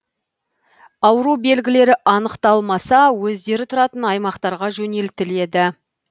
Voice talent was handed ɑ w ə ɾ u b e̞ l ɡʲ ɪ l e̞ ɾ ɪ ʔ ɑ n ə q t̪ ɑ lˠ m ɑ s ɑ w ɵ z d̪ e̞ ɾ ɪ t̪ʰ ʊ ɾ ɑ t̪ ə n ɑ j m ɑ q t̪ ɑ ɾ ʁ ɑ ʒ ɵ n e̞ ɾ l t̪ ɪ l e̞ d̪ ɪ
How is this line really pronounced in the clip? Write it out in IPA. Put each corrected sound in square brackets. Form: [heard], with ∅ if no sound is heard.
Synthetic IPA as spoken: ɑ w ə ɾ u b e̞ l ɡʲ ɪ l e̞ ɾ ɪ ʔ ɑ n ə q t̪ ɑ lˠ m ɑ s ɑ w ɵ z d̪ e̞ ɾ ɪ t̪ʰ ʊ ɾ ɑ t̪ ə n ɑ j m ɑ q t̪ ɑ ɾ ʁ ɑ ʒ ɵ n e̞ [∅] l t̪ ɪ l e̞ d̪ ɪ